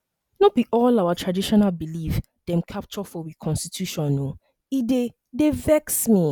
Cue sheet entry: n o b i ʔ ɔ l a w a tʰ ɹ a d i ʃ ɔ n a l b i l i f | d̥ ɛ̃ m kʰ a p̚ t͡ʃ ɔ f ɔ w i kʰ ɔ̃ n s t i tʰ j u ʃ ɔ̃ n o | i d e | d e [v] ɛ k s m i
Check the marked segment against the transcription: correct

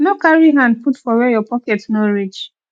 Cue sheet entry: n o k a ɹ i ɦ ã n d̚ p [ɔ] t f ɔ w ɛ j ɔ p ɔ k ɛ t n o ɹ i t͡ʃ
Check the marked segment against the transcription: incorrect: u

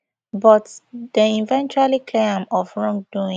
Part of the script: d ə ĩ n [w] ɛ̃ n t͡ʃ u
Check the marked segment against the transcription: incorrect: v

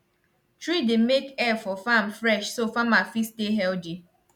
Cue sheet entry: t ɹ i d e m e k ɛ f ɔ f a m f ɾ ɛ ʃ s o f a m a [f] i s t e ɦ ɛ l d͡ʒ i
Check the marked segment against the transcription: correct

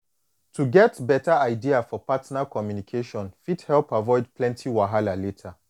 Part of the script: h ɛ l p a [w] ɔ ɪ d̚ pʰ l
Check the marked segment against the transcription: incorrect: v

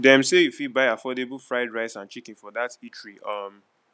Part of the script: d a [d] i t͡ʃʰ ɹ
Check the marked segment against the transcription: incorrect: t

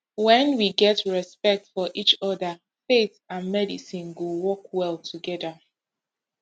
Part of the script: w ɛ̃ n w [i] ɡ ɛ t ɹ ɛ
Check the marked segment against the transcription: correct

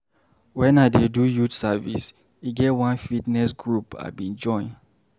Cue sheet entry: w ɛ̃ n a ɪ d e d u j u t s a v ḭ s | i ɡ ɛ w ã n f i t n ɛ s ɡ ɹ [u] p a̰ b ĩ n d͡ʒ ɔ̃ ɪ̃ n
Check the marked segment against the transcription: correct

